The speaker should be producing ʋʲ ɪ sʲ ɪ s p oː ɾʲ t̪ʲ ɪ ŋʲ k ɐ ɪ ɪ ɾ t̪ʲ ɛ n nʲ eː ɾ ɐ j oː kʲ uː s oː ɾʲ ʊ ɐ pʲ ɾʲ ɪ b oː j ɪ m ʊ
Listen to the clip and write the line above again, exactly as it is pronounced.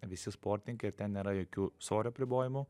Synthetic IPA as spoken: ʋʲ ɪ sʲ ɪ s p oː ɾʲ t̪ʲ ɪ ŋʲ k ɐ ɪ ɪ ɾ t̪ʲ ɛ n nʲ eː ɾ ɐ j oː kʲ uː s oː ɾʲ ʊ ɐ pʲ ɾʲ ɪ b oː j ɪ m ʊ